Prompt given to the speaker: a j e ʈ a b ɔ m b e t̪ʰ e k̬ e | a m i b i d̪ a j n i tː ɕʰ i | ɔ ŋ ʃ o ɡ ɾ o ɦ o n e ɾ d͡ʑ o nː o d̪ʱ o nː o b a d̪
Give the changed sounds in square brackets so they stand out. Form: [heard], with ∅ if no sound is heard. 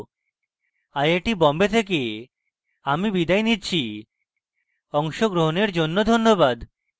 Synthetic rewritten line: a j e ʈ [i] b ɔ m b e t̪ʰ e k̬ e | a m i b i d̪ a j n i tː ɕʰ i | ɔ ŋ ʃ o ɡ ɾ o ɦ o n e ɾ d͡ʑ o nː o d̪ʱ o nː o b a d̪